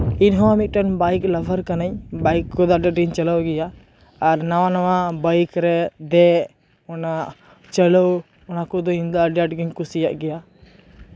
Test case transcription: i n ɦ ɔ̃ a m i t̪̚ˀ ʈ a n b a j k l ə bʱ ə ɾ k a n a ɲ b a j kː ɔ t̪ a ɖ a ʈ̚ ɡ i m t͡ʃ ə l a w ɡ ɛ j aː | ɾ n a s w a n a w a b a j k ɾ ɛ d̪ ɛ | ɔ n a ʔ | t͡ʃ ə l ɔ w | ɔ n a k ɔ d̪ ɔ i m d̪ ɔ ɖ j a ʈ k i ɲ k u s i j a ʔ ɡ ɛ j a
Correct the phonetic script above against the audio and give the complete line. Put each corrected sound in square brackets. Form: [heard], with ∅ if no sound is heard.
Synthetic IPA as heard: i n ɦ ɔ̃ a m i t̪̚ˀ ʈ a n b a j k l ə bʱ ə ɾ k a n a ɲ b a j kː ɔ [d̪] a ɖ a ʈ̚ ɡ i [ɲ] t͡ʃ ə l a w ɡ ɛ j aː | ɾ n a [∅] w a n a w a b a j k ɾ ɛ d̪ ɛ | ɔ n a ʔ | t͡ʃ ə l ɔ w | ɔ n a k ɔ d̪ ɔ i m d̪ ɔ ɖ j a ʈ [ɡ] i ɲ k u s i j a ʔ ɡ ɛ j a

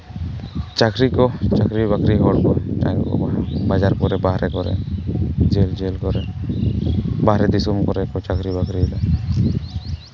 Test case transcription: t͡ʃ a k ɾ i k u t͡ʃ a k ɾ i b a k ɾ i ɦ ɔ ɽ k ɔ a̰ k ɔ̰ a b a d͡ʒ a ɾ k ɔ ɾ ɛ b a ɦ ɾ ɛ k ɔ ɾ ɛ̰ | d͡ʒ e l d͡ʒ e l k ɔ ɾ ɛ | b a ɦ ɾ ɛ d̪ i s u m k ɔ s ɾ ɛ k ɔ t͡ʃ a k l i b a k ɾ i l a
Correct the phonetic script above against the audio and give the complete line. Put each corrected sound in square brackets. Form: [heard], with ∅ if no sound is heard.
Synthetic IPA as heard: t͡ʃ a k ɾ i k [ɔ] t͡ʃ a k ɾ i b a k ɾ i ɦ ɔ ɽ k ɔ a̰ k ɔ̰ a b a d͡ʒ a ɾ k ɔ ɾ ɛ b a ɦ ɾ ɛ k ɔ ɾ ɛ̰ | d͡ʒ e l d͡ʒ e l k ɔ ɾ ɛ | b a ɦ ɾ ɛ d̪ i s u m k ɔ [∅] ɾ ɛ k ɔ t͡ʃ a k [ɾ] i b a k ɾ i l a

